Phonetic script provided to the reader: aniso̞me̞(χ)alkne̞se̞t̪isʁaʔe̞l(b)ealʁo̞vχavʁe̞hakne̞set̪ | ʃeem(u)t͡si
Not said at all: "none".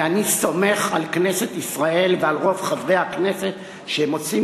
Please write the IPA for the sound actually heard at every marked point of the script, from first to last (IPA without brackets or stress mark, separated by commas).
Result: χ, v, o